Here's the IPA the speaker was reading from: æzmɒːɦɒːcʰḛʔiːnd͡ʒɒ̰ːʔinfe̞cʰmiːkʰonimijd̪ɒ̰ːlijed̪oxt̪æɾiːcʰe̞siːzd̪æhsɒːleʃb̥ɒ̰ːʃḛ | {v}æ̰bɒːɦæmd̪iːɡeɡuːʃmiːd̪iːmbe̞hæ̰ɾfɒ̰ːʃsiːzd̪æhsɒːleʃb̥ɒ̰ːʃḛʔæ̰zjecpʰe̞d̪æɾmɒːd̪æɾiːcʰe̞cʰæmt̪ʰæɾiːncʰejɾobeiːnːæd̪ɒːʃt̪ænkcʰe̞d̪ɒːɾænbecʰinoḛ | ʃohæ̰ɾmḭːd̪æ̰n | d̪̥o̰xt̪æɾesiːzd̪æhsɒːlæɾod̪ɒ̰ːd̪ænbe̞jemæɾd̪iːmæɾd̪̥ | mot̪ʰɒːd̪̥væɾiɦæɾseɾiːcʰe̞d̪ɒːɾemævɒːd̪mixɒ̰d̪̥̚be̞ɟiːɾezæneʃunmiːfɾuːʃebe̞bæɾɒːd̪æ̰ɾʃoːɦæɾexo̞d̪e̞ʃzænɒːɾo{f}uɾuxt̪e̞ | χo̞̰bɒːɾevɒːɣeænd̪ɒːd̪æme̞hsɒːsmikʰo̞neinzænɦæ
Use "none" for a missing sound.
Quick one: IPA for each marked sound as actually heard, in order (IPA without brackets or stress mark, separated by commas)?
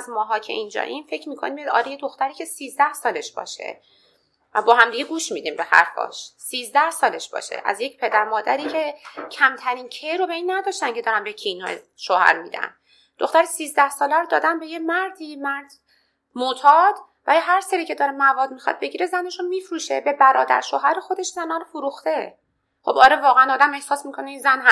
v, f